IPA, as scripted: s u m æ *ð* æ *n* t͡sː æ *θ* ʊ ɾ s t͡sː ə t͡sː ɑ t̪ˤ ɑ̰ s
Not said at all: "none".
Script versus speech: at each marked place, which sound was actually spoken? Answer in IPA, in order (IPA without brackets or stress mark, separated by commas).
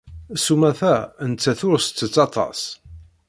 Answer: θ, n, θ